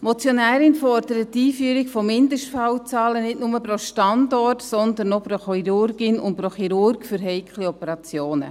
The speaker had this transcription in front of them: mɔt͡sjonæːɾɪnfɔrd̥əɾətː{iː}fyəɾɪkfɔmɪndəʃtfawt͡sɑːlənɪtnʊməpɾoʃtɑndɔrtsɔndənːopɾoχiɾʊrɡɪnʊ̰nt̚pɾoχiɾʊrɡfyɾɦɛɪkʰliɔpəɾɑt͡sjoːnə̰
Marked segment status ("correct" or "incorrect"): correct